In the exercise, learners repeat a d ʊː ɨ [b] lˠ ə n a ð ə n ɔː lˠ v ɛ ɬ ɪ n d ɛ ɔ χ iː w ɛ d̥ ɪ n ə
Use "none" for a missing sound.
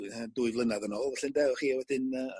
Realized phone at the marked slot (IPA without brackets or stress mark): v